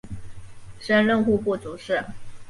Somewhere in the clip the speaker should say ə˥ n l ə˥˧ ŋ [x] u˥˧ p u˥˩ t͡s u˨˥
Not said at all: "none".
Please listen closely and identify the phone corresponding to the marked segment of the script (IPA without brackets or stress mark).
x